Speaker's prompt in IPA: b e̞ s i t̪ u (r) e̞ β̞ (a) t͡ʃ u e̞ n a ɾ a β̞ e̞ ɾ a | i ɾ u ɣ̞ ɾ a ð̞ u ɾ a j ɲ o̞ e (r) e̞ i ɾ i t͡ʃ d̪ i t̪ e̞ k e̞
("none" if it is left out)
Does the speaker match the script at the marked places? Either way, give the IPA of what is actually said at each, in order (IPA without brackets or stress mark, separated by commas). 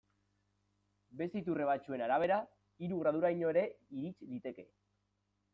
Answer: r, a, ɾ